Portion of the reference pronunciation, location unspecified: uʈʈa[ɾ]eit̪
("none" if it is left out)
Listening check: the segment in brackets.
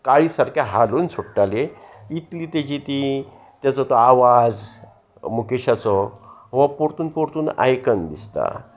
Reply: l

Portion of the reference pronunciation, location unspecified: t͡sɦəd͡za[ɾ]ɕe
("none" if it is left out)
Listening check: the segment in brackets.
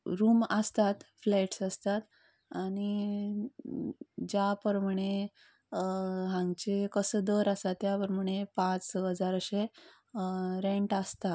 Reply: ɾ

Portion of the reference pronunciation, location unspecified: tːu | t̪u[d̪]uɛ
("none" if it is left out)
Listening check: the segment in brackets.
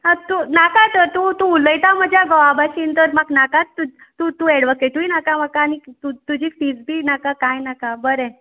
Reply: t̪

